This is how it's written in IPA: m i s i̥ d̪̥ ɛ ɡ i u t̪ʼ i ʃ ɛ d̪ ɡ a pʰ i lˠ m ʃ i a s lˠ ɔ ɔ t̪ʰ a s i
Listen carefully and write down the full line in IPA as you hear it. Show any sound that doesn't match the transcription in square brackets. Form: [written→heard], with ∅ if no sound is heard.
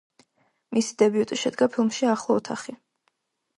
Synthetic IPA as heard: m i s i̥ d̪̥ ɛ [ɡ→b] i u t̪ʼ i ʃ ɛ d̪ ɡ a pʰ i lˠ m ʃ i a [s→χ] lˠ ɔ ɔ t̪ʰ a [s→χ] i